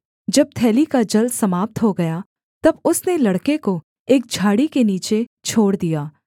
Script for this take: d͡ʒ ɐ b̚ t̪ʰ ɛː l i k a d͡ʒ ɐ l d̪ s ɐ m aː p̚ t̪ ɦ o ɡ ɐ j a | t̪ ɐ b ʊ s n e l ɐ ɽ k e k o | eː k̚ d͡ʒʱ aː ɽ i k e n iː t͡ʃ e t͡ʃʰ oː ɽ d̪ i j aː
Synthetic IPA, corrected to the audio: d͡ʒ ɐ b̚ t̪ʰ ɛː l i k a d͡ʒ ɐ l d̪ s ɐ m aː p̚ t̪ ɦ o ɡ ɐ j a | t̪ ɐ b ʊ s n e l ɐ ɽ k e k o | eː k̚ d͡ʒʱ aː ɽ i k e n iː t͡ʃ e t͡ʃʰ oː ɽ d̪ i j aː